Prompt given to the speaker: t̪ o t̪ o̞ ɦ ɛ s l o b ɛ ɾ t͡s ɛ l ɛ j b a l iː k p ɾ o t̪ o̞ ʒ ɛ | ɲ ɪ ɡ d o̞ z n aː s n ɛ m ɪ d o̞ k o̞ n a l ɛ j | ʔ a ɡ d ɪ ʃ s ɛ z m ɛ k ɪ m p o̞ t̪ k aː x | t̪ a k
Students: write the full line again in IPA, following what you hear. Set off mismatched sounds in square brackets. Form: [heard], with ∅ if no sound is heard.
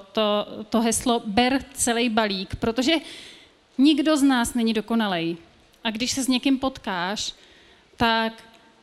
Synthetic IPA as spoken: t̪ o t̪ o̞ ɦ ɛ s l o b ɛ ɾ t͡s ɛ l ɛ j b a l iː k p ɾ o t̪ o̞ ʒ ɛ | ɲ ɪ ɡ d o̞ z n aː s n ɛ [ɲ] ɪ d o̞ k o̞ n a l ɛ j | ʔ a ɡ d ɪ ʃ s ɛ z [ɲ] ɛ k ɪ m p o̞ t̪ k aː [ʃ] | t̪ a k